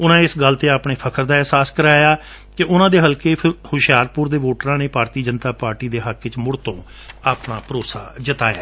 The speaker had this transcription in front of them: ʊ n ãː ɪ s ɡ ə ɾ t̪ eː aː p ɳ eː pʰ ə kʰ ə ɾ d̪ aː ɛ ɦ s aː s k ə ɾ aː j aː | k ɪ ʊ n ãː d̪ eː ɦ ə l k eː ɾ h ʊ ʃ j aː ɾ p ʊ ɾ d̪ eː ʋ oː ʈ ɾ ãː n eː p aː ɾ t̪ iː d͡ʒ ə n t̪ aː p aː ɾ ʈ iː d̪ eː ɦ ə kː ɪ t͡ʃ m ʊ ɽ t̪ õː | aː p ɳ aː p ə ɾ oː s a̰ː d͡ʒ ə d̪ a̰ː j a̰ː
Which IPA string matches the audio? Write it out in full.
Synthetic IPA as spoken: ʊ n ãː ɪ s ɡ ə l t̪ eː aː p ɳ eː pʰ ə kʰ ə ɾ d̪ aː ɛ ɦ s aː s k ə ɾ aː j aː | k ɪ ʊ n ãː d̪ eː ɦ ə l k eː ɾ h ʊ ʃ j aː ɾ p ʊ ɾ d̪ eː ʋ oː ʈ ɾ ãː n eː p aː ɾ t̪ iː d͡ʒ ə n t̪ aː p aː ɾ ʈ iː d̪ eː ɦ ə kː ɪ t͡ʃ m ʊ ɽ t̪ õː | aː p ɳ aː p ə ɾ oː s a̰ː d͡ʒ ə t̪ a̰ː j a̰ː